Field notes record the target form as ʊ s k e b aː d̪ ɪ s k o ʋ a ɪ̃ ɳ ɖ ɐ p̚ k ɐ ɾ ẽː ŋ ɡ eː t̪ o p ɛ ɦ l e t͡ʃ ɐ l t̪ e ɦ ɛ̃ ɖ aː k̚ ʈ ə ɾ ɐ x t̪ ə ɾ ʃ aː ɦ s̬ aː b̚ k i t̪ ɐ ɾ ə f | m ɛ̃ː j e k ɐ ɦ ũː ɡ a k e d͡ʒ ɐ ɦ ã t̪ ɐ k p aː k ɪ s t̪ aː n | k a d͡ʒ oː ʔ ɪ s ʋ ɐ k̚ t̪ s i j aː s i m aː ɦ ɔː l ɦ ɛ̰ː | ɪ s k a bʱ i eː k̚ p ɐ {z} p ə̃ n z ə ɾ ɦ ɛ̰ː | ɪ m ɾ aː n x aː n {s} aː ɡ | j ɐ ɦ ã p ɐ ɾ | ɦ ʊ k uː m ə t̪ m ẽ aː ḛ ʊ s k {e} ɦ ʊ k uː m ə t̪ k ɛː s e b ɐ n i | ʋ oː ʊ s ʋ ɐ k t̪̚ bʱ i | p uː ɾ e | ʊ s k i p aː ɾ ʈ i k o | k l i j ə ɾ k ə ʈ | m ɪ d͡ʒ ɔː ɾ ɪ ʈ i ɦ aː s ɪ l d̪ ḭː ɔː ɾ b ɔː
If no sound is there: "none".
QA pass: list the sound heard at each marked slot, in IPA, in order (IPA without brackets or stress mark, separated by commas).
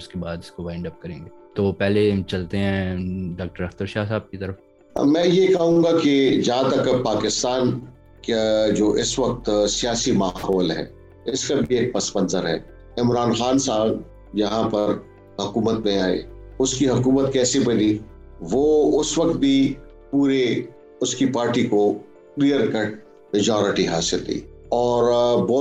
s, s, i